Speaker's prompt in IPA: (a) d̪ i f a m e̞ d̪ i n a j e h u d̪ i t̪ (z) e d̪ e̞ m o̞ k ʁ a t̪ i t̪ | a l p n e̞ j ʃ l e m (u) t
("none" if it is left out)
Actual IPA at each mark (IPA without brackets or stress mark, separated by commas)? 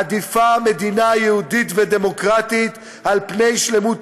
a, v, u